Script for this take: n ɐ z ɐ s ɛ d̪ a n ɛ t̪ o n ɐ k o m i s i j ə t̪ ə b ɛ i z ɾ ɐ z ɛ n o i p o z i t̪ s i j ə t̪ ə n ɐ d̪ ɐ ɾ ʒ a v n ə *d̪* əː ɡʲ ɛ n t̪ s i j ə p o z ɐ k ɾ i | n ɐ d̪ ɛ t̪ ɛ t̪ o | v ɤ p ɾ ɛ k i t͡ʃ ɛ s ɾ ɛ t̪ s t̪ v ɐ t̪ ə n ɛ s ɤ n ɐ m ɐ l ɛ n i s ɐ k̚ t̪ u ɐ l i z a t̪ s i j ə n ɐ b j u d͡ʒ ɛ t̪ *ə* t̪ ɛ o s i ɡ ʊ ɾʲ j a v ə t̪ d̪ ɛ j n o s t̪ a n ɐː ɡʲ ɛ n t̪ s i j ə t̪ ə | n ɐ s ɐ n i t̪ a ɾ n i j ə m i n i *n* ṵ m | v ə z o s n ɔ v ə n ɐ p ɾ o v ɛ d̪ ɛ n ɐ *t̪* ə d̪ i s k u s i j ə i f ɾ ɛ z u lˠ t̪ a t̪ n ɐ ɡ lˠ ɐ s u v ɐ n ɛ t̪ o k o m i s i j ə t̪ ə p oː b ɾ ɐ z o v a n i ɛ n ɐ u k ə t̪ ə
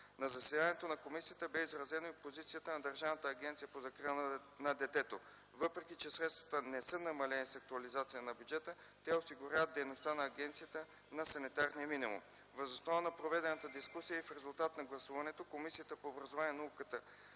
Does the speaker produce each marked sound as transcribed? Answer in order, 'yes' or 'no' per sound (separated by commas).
no, yes, no, yes